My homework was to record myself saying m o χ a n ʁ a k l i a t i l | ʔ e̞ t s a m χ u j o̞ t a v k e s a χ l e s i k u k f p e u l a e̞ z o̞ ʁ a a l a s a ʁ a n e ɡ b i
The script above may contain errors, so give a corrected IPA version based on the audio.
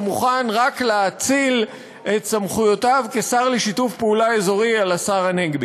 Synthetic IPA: m u χ a n ʁ a k l e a t͡s i l | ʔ e̞ t s a m χ u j o̞ t a v k e s a ʁ l e ʃ i t u f p e u l a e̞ z o̞ ʁ i a l a s a ʁ a n e ɡ b i

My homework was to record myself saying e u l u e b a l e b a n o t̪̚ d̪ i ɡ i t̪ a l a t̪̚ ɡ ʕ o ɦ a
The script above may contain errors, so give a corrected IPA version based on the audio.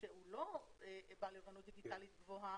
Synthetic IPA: e u l o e b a l e v a n u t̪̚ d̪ i ɡ i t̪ a l i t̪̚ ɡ v o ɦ a

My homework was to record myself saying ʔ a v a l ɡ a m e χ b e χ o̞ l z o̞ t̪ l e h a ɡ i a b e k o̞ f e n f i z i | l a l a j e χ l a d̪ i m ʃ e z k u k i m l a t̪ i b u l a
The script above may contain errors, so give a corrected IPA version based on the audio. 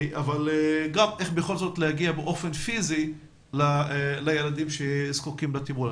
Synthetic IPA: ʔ a v a l ɡ a m e χ b e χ o̞ l z o̞ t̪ l e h a ɡ i a b e ʔ o̞ f e n f i z i | l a l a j e l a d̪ i m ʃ e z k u k i m l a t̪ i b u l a

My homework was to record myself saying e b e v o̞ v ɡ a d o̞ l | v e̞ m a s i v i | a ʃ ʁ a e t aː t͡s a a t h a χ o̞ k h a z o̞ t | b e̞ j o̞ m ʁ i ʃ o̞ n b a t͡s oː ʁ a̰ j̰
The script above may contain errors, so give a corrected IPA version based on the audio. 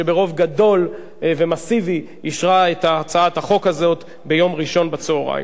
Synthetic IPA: e b e ʁ o̞ v ɡ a d o̞ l | v e̞ m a s i v i | i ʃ ʁ a e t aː t͡s a a t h a χ o̞ k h a z o̞ t | b e̞ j o̞ m ʁ i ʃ o̞ n b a t͡s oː ʁ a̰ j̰

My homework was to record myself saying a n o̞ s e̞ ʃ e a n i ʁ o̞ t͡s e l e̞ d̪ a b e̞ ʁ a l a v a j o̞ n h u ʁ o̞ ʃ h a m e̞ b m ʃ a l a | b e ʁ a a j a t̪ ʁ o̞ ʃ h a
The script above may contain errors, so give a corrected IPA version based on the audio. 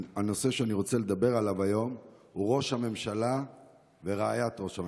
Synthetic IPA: a n o̞ s e̞ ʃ e a n i ʁ o̞ t͡s e l e̞ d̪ a b e̞ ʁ a l a v a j o̞ m h u ʁ o̞ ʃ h a m e̞ m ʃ a l a | v e ʁ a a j a t̪ ʁ o̞ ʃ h a

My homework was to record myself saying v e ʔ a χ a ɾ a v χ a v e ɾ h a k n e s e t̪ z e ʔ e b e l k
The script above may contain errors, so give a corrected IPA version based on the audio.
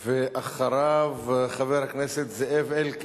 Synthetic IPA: v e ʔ a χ a ɾ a v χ a v e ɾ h a k n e s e t̪ z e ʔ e v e l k

